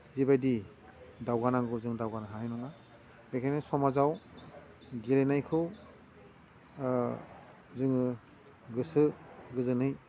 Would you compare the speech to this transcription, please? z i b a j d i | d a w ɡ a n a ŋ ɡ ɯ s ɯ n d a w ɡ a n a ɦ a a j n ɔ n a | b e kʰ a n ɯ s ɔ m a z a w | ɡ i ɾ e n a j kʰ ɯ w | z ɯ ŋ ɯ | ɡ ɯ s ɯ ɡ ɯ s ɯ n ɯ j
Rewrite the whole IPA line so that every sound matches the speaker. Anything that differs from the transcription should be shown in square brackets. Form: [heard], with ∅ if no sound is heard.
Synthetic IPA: z i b a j d i | d a w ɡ a n a ŋ ɡ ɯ [z] ɯ [ŋ] d a w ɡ a n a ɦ a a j n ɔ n a | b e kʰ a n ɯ s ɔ m a z a w | ɡ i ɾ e n a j kʰ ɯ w | z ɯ ŋ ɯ | ɡ ɯ s ɯ ɡ ɯ [z] ɯ n ɯ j